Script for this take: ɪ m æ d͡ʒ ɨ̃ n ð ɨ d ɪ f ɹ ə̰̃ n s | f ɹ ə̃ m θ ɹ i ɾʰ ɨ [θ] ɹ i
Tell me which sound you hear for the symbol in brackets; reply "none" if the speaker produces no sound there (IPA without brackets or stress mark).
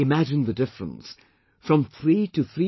θ